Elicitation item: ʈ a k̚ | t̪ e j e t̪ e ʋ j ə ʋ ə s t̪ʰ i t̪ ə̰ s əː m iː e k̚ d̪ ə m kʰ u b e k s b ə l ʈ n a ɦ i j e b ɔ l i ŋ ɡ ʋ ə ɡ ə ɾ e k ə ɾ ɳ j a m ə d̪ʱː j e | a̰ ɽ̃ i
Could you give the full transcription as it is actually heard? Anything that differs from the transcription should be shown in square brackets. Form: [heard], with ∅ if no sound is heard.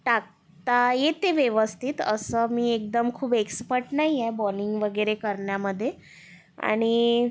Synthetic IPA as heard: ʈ a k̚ | t̪ [a] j e t̪ e ʋ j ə ʋ ə s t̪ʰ i t̪ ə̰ s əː m iː e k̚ d̪ ə m kʰ [uː] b e k s [p] ə [ɾ] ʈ n a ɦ i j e b ɔ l i ŋ ɡ ʋ ə ɡ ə ɾ e k ə ɾ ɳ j a m ə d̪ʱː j e | a̰ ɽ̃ i